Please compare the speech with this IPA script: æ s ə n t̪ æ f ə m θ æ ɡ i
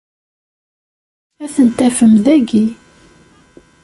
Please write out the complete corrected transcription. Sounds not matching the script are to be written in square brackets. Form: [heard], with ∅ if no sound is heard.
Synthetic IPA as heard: æ [θ] ə n t̪ æ f ə m [ð] æ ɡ i